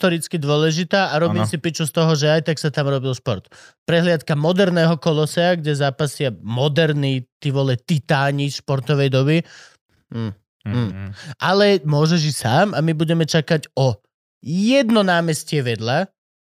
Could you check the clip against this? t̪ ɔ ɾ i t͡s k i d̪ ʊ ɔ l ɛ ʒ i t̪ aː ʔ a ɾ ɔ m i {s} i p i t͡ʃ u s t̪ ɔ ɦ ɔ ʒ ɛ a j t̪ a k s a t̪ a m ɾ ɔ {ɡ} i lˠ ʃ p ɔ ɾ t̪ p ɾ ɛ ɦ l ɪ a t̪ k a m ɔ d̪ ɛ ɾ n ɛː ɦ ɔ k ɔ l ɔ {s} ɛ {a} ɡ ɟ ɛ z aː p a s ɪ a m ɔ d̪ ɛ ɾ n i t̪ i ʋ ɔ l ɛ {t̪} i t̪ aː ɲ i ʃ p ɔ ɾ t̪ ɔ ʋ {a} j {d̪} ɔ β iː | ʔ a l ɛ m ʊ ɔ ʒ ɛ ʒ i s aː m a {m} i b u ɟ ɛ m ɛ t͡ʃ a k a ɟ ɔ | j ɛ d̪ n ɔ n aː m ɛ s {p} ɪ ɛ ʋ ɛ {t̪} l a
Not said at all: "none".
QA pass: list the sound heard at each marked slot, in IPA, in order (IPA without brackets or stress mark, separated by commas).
s, b, s, a, t̪, ɛ, d̪, m, c, d̪